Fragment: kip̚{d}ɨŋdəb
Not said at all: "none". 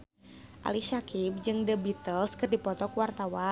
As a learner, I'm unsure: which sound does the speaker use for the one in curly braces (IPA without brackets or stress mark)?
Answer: d͡ʒ